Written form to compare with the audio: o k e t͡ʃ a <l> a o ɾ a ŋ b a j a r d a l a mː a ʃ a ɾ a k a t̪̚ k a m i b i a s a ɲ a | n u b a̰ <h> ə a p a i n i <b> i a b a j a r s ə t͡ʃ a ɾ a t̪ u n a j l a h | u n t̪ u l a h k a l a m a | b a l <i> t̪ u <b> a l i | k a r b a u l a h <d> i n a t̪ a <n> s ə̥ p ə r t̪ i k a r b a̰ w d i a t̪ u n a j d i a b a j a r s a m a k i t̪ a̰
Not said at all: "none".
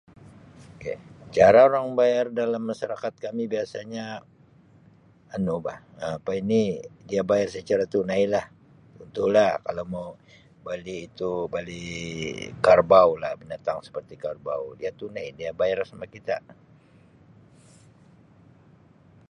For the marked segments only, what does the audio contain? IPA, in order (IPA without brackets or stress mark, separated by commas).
ɾ, h, d, iː, b, b, ŋ